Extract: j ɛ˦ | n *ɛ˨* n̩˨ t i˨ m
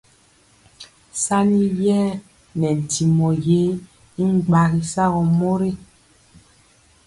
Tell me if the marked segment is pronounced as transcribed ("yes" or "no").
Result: yes